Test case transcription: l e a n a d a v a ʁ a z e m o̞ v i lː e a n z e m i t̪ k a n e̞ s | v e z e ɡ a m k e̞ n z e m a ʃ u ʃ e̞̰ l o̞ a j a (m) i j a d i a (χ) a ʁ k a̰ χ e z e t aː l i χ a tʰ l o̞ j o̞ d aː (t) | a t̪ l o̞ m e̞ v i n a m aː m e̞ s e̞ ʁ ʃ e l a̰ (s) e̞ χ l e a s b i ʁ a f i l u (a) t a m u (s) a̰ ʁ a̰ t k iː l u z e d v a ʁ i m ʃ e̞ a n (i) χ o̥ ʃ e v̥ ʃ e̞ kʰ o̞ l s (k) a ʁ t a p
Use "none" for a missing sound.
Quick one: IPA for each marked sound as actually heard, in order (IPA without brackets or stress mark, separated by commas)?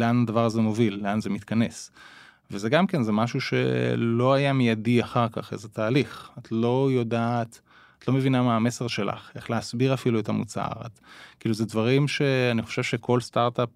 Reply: m, χ, t, χ, e, t͡s, i, t